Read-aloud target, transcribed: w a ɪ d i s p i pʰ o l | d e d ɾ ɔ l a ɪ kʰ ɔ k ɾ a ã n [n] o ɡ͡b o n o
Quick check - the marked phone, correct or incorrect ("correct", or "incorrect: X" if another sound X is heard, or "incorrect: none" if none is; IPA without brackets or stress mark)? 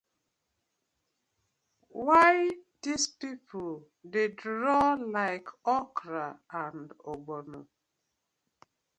incorrect: d